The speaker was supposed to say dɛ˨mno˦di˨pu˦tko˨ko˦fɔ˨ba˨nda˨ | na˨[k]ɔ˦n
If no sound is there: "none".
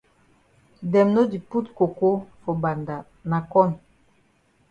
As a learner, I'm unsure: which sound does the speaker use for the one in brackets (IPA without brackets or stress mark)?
k